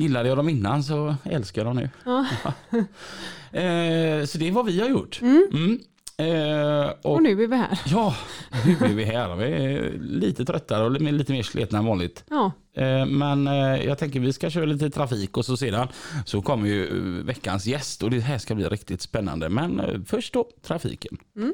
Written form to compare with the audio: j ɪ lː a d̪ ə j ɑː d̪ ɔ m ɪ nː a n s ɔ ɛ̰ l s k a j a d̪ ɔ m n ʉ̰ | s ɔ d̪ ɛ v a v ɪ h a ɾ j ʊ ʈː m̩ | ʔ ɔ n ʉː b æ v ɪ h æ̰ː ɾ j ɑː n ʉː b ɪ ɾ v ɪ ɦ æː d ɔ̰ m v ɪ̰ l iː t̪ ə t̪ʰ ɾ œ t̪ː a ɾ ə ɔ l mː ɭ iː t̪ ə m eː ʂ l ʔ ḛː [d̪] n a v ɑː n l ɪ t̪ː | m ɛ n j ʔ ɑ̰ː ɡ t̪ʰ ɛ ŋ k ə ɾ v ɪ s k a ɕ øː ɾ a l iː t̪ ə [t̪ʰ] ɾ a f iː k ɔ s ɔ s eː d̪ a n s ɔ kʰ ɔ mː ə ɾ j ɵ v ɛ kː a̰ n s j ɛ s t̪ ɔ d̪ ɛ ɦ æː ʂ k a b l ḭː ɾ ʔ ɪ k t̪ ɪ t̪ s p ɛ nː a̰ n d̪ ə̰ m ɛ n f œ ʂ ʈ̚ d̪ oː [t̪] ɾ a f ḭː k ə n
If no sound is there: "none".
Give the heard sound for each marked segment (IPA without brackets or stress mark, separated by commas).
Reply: t̪, t̪ʰ, t̪ʰ